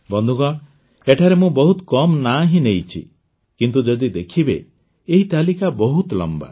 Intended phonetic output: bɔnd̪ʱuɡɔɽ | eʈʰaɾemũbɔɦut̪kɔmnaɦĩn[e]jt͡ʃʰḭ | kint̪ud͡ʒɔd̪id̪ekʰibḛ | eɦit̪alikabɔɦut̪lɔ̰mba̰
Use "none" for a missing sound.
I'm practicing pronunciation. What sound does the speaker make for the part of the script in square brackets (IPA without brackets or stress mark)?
e